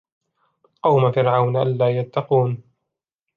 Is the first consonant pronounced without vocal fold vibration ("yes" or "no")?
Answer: yes